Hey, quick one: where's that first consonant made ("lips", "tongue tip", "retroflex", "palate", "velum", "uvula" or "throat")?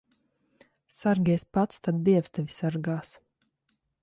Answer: tongue tip